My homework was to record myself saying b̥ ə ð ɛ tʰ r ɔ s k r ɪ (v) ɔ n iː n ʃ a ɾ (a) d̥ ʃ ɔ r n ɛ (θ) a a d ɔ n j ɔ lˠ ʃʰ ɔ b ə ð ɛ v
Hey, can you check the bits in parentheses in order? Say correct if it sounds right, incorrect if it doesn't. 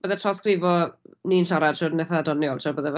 correct, correct, correct

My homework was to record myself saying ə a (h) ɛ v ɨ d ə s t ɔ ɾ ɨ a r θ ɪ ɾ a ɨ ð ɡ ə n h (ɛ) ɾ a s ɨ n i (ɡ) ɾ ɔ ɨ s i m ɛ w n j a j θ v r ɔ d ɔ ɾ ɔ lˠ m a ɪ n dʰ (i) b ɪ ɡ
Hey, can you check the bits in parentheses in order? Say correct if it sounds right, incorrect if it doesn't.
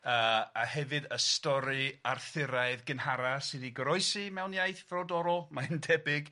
correct, incorrect, correct, incorrect

